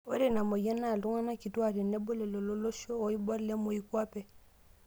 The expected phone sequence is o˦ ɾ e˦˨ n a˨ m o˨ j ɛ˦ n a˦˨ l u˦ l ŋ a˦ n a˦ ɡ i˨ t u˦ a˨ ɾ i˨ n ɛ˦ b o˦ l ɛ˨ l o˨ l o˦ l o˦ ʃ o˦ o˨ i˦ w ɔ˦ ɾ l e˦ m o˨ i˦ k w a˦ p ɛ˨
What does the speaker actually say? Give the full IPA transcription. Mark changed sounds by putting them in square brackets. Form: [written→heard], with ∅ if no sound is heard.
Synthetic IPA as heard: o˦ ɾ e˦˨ n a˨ m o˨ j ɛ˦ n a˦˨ l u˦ [l→∅] ŋ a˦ n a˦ [ɡ→k] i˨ t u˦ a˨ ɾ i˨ n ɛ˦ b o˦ l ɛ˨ l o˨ l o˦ l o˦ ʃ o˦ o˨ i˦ [w→b] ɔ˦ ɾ l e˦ m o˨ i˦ k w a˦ p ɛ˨